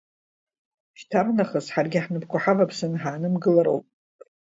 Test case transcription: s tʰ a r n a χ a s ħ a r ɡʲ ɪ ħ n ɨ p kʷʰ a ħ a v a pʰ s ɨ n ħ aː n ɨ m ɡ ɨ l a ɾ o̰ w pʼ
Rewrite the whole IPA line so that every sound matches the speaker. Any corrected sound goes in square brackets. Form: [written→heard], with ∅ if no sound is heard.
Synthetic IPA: [s→ʃ] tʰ a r n a χ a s ħ a r ɡʲ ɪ ħ n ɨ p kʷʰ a ħ a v a pʰ s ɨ n ħ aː n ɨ m ɡ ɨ l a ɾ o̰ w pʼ